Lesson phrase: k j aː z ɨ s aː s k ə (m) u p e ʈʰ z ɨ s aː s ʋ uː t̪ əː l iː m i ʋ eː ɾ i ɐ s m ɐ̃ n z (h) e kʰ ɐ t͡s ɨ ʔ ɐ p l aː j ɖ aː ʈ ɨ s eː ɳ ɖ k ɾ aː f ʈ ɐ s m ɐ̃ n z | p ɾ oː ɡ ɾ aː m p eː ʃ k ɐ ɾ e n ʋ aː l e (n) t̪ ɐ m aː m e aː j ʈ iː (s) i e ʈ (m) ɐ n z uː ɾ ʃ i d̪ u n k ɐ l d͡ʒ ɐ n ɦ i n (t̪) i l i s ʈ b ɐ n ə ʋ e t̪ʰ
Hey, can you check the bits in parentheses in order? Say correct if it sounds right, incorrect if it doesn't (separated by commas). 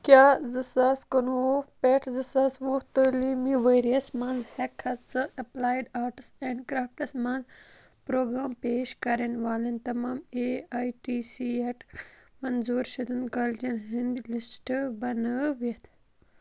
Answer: incorrect, correct, correct, correct, correct, incorrect